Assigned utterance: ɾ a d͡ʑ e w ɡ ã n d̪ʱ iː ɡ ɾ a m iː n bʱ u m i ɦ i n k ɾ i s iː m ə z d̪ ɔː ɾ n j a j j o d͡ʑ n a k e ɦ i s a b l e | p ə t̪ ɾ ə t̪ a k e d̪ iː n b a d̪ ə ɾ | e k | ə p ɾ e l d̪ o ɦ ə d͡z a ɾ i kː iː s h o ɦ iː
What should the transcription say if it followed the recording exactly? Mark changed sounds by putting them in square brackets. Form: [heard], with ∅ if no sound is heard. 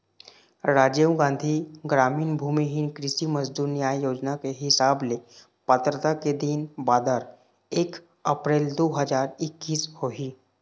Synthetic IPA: ɾ a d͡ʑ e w ɡ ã n d̪ʱ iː ɡ ɾ a m iː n bʱ u m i ɦ i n k ɾ i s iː m ə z d̪ [uː] ɾ n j a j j o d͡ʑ n a k e ɦ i s a b l e | p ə t̪ ɾ ə t̪ a k e d̪ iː n b a d̪ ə ɾ | e k | ə p ɾ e l d̪ o ɦ ə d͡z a ɾ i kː iː s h o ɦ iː